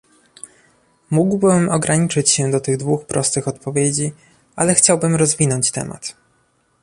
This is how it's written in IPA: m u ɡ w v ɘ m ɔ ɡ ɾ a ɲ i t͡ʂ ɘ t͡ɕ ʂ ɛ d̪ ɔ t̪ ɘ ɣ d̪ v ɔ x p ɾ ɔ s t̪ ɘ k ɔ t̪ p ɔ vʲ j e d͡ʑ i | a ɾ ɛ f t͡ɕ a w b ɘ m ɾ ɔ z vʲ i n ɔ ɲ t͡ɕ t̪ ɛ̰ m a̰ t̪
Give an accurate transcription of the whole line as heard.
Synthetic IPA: m u ɡ w b ɘ m ɔ ɡ ɾ a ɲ i t͡ʂ ɘ t͡ɕ ɕ ɛ d̪ ɔ t̪ ɘ ɣ d̪ v u x p ɾ ɔ s t̪ ɘ x ɔ t̪ p ɔ vʲ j e d͡ʑ i | a l ɛ x t͡ɕ a w b ɘ m ɾ ɔ z vʲ i n ɔ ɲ t͡ɕ t̪ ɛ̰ m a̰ t̪

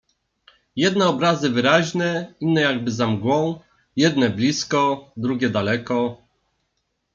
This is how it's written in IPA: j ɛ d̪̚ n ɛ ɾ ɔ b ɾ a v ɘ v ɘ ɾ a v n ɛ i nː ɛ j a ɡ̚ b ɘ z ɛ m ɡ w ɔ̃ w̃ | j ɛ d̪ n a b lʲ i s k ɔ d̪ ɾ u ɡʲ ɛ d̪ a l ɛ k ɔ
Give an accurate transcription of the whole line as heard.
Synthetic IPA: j ɛ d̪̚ n ɛ ɔ b ɾ a z ɘ v ɘ ɾ a ʑ n ɛ i nː ɛ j a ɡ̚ b ɘ z a m ɡ w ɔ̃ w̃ | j ɛ d̪ n ɛ b lʲ i s k ɔ d̪ ɾ u ɡʲ ɛ d̪ a l ɛ k ɔ

